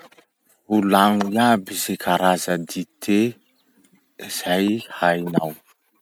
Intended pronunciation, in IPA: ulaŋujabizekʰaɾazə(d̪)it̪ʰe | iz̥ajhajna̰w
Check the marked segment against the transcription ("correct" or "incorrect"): correct